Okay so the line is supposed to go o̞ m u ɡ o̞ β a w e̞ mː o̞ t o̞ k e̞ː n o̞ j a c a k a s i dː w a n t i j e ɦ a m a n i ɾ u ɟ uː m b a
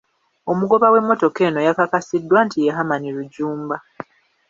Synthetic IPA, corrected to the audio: o̞ m u ɡ o̞ β a w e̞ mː o̞ t o̞ k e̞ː n o̞ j a k a k a s i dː w a n t i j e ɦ a m a n i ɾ u ɟ uː m b a